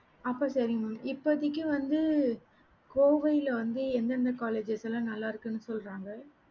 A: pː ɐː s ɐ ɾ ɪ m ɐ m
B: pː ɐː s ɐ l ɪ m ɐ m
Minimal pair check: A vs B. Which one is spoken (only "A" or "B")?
A